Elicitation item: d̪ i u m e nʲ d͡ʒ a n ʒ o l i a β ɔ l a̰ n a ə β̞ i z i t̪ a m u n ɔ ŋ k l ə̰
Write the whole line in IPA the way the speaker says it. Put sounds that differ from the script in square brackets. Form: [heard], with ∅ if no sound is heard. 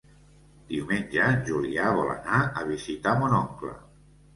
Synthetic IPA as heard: d̪ i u m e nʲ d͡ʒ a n ʒ [u] l i a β ɔ l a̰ n a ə β̞ i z i t̪ a m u n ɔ ŋ k l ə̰